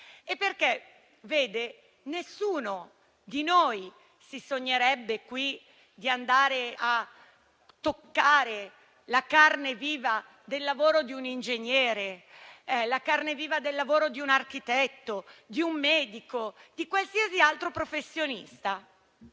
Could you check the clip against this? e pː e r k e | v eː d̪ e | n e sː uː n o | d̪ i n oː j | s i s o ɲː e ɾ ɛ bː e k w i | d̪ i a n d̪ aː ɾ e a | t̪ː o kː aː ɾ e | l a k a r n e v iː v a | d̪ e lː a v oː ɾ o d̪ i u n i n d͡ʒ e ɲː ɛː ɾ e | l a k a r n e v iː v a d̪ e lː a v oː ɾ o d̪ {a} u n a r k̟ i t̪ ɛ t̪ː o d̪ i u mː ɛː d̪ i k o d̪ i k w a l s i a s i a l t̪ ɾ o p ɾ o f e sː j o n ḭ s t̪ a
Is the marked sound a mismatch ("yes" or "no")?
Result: yes